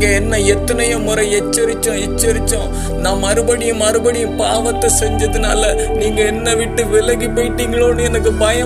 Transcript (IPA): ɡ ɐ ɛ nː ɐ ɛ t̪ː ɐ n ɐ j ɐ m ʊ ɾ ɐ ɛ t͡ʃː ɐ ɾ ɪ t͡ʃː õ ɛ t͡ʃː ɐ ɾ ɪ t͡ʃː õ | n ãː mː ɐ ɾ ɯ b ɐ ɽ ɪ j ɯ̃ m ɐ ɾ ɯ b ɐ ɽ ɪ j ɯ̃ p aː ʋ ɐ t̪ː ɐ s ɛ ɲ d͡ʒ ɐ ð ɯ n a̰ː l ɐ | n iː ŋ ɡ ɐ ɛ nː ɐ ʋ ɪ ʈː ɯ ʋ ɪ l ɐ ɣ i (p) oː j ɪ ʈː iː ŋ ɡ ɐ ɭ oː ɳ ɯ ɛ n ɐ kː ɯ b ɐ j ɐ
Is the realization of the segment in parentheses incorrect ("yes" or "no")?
no